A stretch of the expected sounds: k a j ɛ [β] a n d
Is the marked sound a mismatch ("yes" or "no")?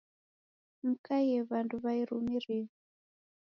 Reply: no